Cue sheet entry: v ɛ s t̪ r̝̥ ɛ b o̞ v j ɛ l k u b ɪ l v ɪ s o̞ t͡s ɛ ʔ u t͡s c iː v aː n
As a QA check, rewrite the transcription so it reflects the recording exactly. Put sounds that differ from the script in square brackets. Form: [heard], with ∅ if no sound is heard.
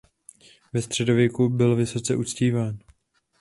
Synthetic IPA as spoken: v ɛ s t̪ r̝̥ ɛ [d] o̞ v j ɛ [∅] k u b ɪ l v ɪ s o̞ t͡s ɛ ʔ u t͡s c iː v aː n